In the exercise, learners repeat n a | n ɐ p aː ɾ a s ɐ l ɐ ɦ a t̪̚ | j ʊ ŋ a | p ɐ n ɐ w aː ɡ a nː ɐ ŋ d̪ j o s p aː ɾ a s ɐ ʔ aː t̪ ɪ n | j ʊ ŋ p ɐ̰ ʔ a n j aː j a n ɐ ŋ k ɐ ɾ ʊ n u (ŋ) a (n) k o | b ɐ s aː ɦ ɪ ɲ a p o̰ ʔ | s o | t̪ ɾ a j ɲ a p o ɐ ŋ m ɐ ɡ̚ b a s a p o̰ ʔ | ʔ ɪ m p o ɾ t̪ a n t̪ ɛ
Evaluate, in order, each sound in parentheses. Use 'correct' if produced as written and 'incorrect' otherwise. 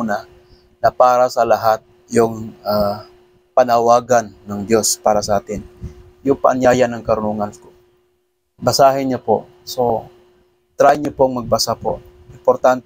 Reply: correct, correct

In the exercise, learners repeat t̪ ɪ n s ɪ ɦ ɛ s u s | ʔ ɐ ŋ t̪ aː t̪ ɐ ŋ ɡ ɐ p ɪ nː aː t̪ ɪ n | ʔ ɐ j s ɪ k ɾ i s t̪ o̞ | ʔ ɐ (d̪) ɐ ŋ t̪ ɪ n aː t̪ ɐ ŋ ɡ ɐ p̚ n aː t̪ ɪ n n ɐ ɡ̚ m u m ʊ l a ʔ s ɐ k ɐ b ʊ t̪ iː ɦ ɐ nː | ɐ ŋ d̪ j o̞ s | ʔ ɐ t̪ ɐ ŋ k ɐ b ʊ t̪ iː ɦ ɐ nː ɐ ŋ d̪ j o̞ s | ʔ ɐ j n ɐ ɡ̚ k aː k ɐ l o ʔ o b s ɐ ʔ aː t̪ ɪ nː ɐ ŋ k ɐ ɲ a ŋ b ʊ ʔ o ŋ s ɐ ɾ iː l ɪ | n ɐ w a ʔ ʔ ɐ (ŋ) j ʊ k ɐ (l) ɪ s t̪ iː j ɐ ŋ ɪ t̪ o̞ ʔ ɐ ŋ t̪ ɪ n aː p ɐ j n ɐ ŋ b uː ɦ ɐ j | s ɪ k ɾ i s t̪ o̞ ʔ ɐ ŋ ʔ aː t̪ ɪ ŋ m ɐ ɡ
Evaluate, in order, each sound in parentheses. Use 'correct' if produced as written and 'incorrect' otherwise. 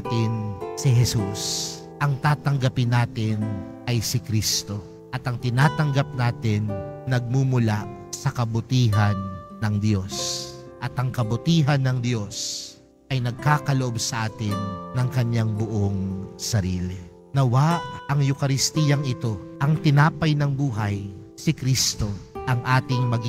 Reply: incorrect, correct, incorrect

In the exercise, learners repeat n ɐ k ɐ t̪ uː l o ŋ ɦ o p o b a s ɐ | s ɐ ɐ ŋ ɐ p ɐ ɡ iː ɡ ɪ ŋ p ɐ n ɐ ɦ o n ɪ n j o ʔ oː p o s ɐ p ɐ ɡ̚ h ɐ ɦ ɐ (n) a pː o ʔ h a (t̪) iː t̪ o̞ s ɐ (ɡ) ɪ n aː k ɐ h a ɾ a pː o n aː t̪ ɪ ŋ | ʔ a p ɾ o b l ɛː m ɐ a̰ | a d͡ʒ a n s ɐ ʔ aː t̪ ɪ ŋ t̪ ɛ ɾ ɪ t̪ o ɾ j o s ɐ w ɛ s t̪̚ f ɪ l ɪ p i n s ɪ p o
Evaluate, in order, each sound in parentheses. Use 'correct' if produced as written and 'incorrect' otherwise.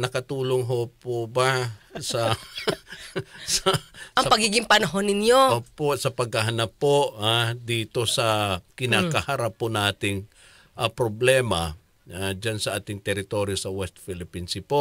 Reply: correct, incorrect, incorrect

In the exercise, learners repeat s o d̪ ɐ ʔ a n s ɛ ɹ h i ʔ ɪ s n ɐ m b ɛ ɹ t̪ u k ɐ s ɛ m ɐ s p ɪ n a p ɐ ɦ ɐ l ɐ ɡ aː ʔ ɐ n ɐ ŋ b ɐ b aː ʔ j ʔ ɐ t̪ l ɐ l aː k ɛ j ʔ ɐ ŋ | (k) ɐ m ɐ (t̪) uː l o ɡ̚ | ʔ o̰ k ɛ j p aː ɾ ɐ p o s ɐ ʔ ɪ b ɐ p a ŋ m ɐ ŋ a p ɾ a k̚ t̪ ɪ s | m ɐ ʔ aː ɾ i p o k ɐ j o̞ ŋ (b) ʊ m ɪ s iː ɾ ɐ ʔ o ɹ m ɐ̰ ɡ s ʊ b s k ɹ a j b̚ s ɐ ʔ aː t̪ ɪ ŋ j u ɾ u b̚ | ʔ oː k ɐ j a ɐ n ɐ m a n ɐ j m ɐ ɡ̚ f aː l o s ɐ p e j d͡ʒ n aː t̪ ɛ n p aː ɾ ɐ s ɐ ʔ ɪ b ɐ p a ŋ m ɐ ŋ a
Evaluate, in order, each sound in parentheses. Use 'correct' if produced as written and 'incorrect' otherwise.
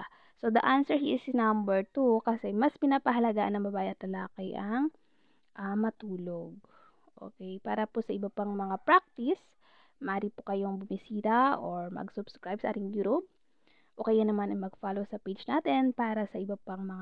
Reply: incorrect, correct, correct

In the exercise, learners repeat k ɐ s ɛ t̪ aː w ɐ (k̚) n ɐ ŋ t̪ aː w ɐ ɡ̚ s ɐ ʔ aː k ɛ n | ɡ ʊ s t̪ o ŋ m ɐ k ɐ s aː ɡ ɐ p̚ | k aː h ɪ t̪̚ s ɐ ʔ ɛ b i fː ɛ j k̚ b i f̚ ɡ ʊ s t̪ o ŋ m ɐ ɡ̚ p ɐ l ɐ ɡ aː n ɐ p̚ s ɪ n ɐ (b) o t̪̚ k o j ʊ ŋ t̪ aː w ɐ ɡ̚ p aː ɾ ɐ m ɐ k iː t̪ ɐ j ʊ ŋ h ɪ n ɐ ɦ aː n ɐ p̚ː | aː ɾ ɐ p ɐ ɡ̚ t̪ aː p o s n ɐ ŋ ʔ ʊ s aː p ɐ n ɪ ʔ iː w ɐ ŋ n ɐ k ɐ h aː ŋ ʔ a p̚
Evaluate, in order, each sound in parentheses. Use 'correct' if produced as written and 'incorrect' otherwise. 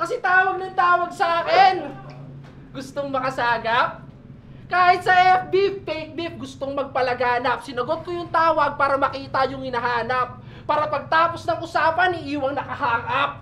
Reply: incorrect, incorrect

